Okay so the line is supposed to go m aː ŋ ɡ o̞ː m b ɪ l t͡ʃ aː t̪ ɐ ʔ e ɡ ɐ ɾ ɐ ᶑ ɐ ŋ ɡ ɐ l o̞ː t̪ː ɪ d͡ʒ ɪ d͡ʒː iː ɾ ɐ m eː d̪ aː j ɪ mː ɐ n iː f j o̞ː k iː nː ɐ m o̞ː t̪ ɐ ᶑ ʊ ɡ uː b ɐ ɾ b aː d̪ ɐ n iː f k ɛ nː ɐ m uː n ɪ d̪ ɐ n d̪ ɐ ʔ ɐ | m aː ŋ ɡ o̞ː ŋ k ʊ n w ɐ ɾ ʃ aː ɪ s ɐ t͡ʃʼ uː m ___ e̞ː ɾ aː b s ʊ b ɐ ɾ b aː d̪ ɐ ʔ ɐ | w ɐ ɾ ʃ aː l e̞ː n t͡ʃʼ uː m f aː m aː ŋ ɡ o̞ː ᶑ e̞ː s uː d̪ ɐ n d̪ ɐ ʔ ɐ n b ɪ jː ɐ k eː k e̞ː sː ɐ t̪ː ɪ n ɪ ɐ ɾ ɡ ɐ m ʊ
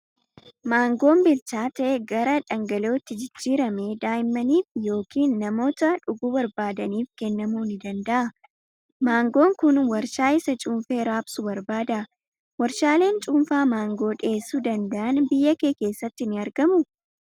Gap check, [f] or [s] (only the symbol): f